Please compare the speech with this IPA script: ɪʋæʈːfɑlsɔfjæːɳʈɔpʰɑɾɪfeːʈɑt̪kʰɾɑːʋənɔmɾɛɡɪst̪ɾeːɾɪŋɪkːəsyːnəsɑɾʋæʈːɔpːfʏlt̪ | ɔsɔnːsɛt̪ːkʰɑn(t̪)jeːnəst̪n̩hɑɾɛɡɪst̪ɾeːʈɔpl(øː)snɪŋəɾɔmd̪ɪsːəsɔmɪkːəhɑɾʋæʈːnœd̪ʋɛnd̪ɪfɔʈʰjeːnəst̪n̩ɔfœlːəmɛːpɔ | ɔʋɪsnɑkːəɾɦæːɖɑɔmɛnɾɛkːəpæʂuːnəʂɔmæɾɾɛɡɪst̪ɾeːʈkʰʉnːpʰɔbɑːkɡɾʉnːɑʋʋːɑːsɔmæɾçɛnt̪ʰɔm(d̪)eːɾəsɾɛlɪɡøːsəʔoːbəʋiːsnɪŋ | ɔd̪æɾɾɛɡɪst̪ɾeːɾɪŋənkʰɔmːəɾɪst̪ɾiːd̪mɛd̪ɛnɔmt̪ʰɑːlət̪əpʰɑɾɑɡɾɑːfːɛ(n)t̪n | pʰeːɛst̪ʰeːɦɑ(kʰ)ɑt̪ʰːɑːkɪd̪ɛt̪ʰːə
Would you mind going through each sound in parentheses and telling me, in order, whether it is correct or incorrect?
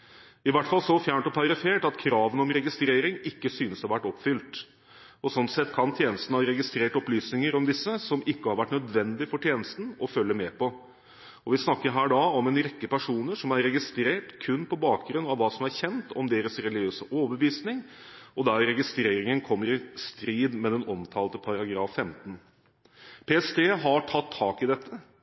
incorrect, incorrect, correct, incorrect, incorrect

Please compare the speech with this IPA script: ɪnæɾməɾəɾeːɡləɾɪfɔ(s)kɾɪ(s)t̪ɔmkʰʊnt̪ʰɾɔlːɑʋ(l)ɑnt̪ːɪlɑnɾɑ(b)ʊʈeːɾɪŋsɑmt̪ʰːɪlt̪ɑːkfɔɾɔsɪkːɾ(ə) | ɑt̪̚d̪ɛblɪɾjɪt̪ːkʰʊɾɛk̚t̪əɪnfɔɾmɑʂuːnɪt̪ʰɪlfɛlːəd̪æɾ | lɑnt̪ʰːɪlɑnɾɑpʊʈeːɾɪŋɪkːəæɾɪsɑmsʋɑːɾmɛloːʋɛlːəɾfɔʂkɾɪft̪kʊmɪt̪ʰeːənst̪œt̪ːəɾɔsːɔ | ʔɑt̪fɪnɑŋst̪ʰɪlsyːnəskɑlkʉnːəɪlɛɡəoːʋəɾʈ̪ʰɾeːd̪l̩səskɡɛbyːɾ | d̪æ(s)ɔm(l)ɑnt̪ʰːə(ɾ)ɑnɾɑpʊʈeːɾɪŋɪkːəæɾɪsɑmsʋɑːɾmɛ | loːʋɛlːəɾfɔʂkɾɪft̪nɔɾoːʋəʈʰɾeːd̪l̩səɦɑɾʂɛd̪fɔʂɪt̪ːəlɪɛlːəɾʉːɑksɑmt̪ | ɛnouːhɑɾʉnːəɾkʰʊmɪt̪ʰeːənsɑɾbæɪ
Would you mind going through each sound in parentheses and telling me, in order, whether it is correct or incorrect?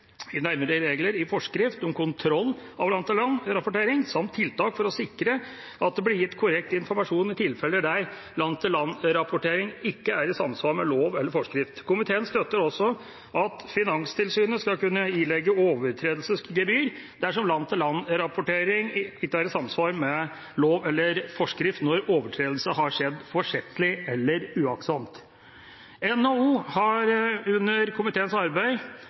incorrect, incorrect, correct, incorrect, correct, incorrect, correct, incorrect

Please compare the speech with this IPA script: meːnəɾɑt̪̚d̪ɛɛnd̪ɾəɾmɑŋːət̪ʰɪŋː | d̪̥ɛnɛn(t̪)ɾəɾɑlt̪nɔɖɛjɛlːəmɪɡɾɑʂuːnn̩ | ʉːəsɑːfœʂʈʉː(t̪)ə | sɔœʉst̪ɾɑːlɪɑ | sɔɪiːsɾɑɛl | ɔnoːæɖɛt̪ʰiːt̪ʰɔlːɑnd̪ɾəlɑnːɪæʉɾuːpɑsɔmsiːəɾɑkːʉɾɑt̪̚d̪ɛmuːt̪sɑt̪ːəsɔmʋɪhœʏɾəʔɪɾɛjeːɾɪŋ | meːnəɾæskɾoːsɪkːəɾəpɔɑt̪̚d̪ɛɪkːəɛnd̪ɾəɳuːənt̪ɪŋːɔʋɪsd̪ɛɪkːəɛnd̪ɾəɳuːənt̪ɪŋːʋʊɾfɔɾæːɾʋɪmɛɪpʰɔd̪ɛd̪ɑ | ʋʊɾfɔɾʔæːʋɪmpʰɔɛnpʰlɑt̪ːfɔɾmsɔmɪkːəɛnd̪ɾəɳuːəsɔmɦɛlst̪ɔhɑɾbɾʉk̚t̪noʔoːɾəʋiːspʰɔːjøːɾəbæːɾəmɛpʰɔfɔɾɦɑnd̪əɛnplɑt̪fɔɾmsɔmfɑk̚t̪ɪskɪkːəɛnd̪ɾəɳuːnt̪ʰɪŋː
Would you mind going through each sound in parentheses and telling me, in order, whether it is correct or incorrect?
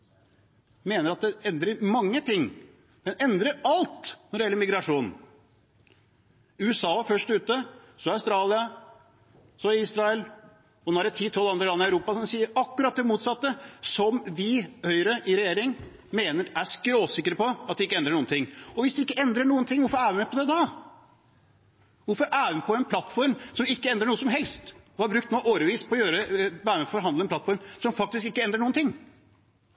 incorrect, correct

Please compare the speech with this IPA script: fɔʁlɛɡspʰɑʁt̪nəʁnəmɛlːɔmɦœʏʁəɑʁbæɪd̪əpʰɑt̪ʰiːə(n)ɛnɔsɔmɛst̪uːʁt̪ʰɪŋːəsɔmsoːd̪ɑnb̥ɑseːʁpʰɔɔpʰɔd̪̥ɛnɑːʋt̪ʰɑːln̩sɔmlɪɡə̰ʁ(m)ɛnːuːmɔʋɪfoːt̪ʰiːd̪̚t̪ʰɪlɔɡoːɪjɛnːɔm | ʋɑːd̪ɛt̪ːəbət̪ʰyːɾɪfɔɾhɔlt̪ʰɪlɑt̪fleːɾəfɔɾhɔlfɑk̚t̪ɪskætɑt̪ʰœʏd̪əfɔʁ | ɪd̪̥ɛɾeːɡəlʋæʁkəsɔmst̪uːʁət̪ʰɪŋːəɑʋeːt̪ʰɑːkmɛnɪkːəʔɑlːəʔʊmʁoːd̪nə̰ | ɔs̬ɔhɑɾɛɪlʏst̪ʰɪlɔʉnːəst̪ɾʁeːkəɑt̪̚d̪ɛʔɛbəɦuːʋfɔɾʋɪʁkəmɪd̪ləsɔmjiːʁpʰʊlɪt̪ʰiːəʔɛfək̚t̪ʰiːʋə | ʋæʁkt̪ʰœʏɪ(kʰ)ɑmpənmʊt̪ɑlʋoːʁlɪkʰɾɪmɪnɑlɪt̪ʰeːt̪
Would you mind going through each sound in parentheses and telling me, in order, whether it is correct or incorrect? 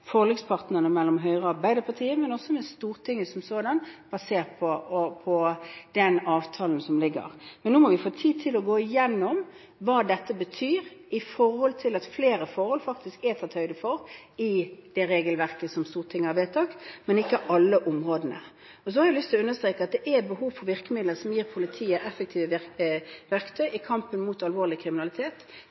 incorrect, correct, correct

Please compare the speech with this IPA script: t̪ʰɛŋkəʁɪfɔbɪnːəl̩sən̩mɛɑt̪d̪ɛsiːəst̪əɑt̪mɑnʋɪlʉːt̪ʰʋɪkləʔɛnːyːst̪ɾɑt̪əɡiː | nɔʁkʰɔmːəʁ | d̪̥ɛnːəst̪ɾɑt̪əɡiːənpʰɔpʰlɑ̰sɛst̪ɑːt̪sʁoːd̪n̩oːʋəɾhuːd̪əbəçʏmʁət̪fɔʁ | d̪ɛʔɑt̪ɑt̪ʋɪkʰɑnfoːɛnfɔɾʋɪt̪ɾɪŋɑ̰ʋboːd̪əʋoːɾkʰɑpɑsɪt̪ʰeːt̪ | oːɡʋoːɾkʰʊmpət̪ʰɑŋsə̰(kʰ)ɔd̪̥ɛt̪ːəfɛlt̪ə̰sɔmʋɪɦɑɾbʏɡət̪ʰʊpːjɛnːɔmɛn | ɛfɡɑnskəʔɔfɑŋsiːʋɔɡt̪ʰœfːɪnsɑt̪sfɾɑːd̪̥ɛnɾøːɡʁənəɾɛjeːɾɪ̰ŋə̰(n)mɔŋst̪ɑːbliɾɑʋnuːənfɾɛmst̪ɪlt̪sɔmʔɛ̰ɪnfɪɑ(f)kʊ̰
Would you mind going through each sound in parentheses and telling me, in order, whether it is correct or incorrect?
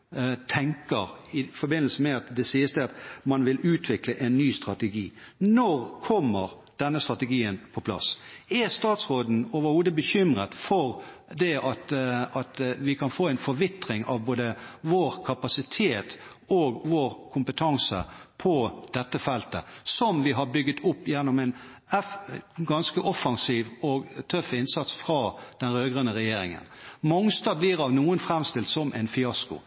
incorrect, correct, incorrect

